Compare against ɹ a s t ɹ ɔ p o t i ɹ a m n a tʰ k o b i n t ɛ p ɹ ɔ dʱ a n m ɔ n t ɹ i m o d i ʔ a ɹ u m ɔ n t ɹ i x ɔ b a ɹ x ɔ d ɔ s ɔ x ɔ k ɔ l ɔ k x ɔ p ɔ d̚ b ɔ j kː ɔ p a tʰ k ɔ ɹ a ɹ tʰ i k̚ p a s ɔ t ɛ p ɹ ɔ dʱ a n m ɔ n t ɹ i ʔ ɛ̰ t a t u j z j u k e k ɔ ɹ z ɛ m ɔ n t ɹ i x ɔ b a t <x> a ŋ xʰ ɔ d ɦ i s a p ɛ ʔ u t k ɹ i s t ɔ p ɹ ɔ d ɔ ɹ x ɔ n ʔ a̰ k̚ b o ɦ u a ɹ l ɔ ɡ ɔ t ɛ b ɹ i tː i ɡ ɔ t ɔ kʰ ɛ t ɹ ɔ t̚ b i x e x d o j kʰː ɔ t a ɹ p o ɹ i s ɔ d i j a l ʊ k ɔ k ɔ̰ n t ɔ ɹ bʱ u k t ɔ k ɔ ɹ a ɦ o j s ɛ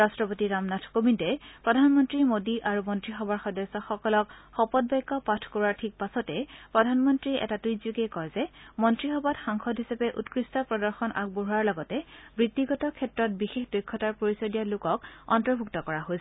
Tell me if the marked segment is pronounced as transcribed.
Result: yes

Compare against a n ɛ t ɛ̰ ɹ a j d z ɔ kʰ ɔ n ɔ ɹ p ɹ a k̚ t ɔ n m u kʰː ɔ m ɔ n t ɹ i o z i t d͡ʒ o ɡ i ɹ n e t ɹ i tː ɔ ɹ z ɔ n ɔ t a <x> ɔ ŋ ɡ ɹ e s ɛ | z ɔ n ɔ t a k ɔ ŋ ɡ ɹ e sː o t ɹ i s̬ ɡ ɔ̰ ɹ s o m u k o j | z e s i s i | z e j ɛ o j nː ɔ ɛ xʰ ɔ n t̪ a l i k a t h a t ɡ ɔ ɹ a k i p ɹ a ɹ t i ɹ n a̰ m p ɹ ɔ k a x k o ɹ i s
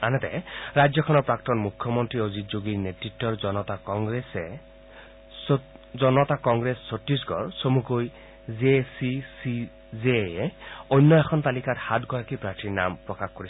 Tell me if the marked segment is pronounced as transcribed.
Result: no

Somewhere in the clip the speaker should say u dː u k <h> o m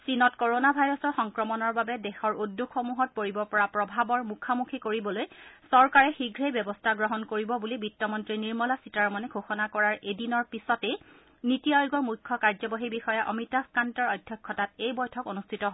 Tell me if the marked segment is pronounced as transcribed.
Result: no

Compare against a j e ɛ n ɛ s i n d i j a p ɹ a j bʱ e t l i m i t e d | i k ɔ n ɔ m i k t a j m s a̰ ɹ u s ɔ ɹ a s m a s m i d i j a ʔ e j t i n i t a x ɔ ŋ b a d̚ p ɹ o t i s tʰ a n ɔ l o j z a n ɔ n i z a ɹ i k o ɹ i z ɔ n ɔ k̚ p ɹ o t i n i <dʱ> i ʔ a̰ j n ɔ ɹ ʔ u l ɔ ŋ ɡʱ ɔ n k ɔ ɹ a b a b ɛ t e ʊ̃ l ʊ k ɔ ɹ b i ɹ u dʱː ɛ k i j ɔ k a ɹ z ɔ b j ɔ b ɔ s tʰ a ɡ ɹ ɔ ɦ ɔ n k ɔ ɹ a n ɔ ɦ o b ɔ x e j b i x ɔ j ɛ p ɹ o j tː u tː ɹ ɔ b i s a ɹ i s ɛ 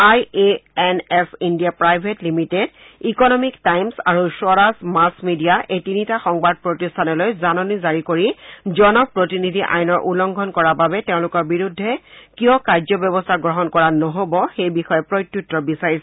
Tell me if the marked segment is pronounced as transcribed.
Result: yes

